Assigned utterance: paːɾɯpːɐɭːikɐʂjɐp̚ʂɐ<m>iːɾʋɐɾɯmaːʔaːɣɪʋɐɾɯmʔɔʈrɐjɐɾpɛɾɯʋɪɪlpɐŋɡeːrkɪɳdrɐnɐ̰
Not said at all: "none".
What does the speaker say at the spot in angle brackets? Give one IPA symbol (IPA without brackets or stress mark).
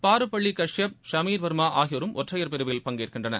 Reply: m